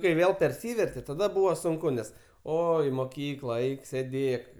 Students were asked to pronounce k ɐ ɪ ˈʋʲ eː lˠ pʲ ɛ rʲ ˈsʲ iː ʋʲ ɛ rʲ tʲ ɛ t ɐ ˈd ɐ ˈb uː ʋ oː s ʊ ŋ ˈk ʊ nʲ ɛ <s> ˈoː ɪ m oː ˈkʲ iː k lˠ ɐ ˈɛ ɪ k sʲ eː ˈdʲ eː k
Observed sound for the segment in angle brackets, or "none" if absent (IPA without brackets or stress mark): s